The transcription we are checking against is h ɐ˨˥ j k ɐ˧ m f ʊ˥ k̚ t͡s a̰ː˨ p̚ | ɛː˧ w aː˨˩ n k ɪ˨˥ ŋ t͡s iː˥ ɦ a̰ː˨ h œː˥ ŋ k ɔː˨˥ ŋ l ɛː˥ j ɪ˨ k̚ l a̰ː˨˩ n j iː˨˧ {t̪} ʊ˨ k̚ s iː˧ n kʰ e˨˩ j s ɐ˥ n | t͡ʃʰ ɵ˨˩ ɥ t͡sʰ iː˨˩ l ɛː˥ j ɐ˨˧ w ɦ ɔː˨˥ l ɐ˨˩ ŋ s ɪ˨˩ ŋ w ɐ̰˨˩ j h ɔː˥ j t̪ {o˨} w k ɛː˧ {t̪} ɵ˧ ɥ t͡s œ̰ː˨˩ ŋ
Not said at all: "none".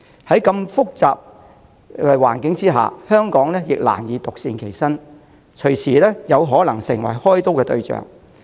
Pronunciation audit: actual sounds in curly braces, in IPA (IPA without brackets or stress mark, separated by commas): t̪, o˥, t̪